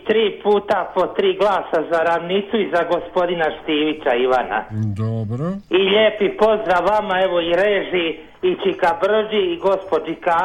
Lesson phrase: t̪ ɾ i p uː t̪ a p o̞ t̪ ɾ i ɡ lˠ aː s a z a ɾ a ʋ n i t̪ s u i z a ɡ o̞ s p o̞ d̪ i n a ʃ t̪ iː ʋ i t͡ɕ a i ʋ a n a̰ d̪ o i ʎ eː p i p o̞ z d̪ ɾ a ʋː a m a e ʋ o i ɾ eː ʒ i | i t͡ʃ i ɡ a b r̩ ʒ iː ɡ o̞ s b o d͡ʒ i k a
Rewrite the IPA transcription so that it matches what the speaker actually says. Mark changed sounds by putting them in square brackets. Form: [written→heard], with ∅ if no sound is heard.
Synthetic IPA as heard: t̪ ɾ [i→iː] p uː t̪ a p o̞ t̪ ɾ [i→iː] ɡ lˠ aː s a z a ɾ a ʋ n i t̪ s u i z a ɡ o̞ s p o̞ d̪ i n a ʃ t̪ iː ʋ i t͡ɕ a i ʋ a n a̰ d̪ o i ʎ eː p i p o̞ z d̪ ɾ a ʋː a m a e ʋ o i ɾ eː ʒ i | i t͡ʃ i [ɡ→k] a b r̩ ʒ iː ɡ o̞ s [b→p] o d͡ʒ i k a